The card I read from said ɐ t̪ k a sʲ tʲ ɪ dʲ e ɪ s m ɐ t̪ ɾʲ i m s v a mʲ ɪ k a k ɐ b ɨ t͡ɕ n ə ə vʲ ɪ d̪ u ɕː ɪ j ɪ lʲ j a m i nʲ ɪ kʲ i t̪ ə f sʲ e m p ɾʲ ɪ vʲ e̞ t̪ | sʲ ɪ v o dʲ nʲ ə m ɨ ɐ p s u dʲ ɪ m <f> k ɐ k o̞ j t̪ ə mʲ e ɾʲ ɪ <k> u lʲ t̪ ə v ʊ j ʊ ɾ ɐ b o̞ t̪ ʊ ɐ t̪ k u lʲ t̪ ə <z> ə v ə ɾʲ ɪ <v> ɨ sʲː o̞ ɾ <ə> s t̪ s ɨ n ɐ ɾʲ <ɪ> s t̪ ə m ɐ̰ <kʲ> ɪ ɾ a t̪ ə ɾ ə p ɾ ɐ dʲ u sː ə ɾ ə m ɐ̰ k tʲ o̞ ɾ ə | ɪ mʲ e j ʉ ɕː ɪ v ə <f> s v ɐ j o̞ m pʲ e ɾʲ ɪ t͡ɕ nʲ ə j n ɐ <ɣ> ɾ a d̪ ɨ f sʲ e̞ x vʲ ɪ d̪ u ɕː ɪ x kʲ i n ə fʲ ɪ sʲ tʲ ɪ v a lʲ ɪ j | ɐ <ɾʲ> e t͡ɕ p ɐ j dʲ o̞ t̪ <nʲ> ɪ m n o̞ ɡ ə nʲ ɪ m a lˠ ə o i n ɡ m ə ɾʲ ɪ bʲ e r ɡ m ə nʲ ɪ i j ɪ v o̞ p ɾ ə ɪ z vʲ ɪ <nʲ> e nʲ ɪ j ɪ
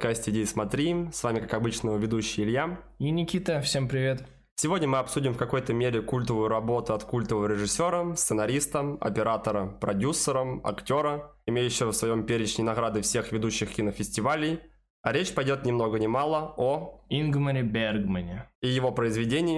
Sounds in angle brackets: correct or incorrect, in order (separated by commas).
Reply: correct, correct, incorrect, incorrect, correct, incorrect, incorrect, correct, correct, correct, correct, incorrect